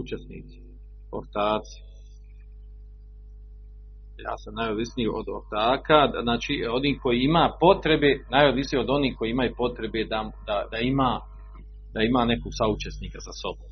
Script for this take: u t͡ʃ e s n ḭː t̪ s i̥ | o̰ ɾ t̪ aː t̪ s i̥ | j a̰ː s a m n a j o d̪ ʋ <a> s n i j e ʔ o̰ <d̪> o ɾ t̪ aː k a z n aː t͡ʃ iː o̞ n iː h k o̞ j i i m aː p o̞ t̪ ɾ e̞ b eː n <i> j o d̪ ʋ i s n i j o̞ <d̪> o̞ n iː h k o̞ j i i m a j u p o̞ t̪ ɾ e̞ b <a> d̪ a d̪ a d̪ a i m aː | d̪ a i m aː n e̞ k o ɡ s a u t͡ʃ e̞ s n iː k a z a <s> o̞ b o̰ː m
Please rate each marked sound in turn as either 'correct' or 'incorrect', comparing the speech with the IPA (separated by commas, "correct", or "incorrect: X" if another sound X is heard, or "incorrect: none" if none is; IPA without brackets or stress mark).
incorrect: i, correct, incorrect: a, correct, incorrect: e, correct